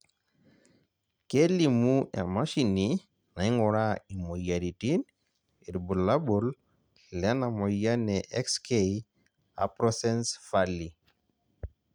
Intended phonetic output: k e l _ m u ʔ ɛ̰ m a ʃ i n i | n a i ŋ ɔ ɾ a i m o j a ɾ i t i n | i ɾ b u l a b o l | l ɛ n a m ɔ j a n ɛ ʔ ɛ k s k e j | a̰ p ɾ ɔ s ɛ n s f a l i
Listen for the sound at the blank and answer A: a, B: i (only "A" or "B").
B